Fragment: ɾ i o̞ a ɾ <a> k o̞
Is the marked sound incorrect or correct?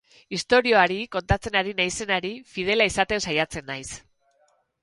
incorrect